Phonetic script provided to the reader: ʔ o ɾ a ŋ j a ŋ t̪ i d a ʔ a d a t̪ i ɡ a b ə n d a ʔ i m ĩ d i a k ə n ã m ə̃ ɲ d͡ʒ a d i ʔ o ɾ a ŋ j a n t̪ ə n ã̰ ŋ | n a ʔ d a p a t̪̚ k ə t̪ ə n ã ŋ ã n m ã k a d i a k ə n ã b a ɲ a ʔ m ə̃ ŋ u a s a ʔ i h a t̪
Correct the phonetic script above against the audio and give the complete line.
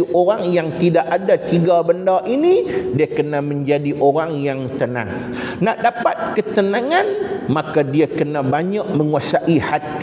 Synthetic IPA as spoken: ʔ o ɾ a ŋ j a ŋ t̪ i d a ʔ a d a t̪ i ɡ a b ə n d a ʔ i n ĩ d i a k ə n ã m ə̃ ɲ d͡ʒ a d i ʔ o ɾ a ŋ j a ŋ t̪ ə n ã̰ ŋ | n a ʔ d a p a t̪̚ k ə t̪ ə n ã ŋ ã n m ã k a d i a k ə n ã b a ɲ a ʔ m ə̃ ŋ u a s a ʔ i h a t̪